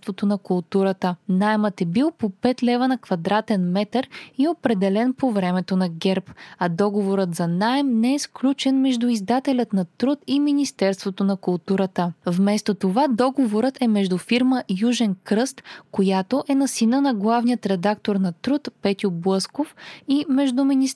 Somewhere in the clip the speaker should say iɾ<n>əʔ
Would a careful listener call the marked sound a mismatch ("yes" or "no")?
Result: yes